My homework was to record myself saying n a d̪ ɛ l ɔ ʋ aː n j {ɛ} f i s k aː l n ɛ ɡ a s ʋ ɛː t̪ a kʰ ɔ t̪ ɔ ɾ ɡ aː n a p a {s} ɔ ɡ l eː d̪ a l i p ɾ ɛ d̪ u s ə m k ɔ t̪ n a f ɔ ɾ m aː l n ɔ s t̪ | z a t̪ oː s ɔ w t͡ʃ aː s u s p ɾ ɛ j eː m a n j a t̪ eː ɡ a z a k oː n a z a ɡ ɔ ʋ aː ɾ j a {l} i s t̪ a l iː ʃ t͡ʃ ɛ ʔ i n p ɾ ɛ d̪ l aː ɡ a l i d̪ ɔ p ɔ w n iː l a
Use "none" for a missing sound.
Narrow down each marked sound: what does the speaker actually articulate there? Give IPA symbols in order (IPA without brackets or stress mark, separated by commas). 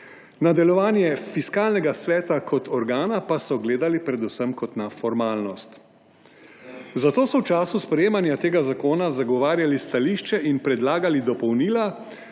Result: ɛ, s, l